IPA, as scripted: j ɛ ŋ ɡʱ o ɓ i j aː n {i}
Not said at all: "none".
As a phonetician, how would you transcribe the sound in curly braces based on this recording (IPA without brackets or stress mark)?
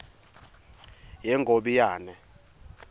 ɛ